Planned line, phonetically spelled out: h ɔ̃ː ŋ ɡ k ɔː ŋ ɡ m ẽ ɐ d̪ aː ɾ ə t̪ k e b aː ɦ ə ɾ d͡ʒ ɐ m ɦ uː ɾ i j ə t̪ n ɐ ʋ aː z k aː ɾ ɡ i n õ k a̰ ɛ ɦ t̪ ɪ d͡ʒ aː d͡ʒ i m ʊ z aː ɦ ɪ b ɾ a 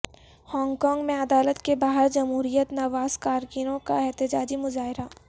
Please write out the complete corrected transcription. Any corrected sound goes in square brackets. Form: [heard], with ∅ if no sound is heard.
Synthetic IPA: h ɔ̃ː ŋ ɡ k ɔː ŋ ɡ m ẽ ɐ d̪ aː [l] ə t̪ k e b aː ɦ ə ɾ d͡ʒ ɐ m ɦ uː ɾ i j ə t̪ n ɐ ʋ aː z k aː ɾ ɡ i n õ k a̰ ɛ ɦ t̪ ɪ d͡ʒ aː d͡ʒ i m ʊ z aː ɦ ɪ [∅] ɾ a